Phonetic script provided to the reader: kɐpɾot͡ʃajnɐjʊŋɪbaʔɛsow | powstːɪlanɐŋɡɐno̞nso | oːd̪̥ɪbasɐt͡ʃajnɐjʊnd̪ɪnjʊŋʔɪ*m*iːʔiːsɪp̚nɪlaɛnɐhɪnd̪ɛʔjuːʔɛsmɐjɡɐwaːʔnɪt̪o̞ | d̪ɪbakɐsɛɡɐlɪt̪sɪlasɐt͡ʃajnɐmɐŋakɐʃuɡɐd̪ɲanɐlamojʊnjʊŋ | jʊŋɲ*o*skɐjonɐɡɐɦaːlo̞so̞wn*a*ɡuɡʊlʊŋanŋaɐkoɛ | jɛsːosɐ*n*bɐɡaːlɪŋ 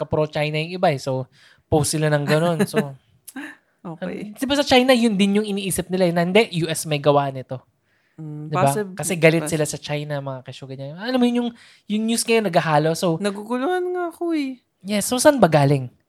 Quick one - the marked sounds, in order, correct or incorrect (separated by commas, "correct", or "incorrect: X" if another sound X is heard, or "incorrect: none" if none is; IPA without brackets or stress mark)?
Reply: incorrect: n, incorrect: u, incorrect: ɐ, correct